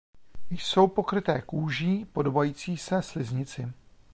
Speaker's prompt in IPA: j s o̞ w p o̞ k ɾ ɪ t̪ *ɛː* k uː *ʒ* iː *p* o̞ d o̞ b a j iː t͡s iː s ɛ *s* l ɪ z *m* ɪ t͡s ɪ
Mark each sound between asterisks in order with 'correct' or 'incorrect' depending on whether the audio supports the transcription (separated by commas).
correct, correct, correct, correct, incorrect